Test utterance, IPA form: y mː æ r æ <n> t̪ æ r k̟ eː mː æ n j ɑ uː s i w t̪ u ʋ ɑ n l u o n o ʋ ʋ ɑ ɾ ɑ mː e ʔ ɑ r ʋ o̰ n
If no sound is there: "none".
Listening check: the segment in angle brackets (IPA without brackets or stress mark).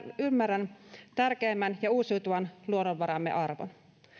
n